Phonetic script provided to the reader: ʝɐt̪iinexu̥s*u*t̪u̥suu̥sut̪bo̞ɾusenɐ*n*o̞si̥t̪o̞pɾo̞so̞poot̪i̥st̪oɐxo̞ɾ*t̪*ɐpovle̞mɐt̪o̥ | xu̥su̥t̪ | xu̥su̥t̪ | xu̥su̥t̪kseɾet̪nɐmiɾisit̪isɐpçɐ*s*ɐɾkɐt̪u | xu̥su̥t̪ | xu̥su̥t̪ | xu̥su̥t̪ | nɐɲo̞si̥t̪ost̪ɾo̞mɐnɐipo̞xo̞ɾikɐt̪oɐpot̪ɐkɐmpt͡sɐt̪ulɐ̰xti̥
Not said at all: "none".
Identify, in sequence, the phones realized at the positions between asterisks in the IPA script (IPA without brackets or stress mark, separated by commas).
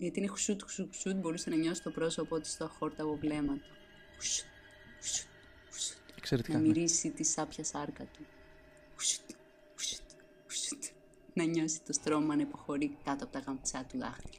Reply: u, ɲ, t̪, s